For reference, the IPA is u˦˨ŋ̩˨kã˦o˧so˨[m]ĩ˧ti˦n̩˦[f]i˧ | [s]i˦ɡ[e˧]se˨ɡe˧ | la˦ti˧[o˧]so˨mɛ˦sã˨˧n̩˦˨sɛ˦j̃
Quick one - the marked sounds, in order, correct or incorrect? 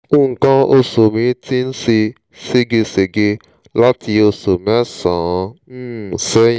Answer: correct, incorrect: s, correct, correct, correct

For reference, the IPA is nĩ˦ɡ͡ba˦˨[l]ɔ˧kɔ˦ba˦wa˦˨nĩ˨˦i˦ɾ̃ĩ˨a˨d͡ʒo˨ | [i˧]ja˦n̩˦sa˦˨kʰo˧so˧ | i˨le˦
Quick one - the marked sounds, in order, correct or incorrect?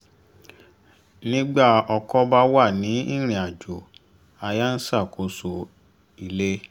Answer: incorrect: none, incorrect: a˧

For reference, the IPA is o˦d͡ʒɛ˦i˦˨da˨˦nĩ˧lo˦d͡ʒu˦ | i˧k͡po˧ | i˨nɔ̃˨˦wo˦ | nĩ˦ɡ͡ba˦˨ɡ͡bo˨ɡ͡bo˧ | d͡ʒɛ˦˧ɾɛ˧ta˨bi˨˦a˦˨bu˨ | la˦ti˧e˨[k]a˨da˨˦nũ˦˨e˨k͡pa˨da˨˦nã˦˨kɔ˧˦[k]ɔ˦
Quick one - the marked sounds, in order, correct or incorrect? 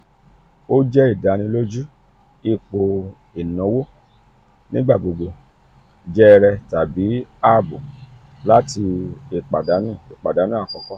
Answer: incorrect: k͡p, correct

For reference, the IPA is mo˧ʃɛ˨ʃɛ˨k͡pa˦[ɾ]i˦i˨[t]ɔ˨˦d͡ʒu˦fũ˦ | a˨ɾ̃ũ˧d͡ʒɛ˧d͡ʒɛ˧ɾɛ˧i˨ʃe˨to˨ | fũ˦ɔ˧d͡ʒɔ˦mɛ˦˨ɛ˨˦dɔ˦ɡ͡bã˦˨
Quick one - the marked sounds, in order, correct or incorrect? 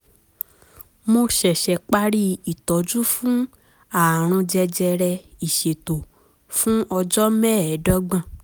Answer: correct, correct

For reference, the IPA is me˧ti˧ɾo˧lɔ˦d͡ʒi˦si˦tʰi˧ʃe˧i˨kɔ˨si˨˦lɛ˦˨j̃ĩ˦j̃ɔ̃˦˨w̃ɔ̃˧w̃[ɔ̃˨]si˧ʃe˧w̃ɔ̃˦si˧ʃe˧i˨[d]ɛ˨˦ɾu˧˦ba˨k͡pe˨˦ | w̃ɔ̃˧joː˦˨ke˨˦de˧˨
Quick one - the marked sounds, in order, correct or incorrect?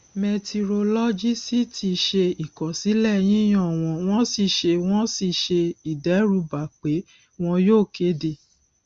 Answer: incorrect: ɔ̃˦, correct

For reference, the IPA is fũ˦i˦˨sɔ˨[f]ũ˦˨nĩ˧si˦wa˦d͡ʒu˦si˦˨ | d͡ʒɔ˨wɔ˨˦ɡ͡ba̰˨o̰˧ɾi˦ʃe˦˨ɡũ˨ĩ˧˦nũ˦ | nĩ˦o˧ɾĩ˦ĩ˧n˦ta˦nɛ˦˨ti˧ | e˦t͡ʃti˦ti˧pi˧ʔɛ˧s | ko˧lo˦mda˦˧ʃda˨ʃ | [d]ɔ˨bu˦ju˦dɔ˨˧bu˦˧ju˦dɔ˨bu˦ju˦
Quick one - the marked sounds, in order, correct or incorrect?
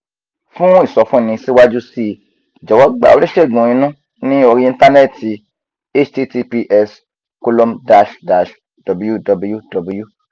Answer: correct, correct

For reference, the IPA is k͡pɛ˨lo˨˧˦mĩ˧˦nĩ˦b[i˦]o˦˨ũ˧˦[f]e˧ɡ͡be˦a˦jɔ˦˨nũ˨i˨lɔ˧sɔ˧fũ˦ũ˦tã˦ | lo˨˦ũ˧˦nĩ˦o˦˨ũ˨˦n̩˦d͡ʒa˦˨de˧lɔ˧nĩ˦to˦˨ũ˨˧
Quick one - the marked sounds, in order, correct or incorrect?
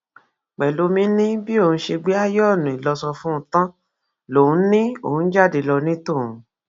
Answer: correct, incorrect: ʃ

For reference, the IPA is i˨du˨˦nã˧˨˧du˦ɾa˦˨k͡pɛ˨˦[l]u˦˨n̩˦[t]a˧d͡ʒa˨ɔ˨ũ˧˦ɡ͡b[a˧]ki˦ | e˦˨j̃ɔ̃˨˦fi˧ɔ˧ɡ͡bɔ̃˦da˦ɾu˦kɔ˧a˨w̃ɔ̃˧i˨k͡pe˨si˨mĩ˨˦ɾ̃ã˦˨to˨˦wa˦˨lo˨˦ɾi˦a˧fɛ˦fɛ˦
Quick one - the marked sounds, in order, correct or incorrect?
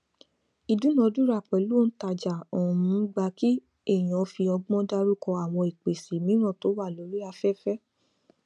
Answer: correct, correct, correct

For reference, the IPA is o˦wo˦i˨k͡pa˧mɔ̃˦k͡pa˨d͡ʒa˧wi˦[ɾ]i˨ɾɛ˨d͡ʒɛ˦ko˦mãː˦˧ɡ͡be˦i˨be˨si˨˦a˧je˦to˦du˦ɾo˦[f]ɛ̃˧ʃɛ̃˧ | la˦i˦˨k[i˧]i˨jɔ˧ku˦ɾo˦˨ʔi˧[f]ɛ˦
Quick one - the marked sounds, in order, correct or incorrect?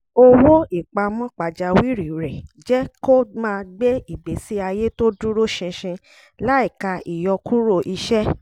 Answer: correct, incorrect: ʃ, incorrect: a˧, incorrect: ʃ

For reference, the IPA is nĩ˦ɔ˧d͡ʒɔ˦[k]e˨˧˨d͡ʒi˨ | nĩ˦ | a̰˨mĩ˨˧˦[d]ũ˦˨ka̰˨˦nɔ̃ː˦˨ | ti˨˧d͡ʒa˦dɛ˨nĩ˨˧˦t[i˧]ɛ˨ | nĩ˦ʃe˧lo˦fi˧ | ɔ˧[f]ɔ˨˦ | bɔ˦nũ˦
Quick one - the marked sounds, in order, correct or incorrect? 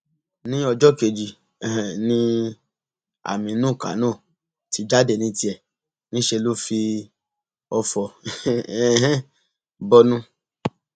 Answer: correct, incorrect: n, correct, correct

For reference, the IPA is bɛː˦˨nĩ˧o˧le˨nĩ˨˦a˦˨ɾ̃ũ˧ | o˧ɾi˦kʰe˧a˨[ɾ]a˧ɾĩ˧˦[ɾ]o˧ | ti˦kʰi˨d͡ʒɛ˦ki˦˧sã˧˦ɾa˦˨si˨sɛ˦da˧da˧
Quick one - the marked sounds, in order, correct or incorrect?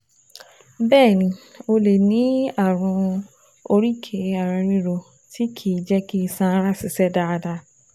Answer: correct, correct

